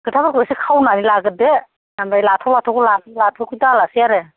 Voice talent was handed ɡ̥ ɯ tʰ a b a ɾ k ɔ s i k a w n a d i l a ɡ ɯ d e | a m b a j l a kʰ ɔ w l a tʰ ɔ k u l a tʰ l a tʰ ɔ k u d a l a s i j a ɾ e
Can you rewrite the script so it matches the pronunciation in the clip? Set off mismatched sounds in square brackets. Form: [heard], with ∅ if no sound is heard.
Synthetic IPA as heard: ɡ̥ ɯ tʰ a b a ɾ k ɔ s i [kʰ] a w n a [n] i l a ɡ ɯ d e | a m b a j l a [tʰ] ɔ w l a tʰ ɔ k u l a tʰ l a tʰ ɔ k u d a l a s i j a ɾ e